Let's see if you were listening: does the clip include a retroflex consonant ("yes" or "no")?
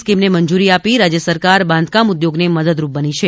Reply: no